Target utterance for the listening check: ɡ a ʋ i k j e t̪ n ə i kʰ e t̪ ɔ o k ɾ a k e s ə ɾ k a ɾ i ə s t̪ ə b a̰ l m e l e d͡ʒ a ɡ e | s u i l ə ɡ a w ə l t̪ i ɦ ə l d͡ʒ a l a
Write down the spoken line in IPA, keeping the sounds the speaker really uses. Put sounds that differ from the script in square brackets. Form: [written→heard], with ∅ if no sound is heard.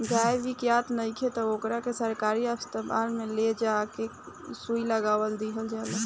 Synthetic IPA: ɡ a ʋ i k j [e→a] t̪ n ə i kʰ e t̪ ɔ o k ɾ a k e s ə ɾ k a ɾ i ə s t̪ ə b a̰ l m e l e d͡ʒ a [ɡ→k] e | s u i l ə ɡ a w ə l [t̪→d̪] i ɦ ə l d͡ʒ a l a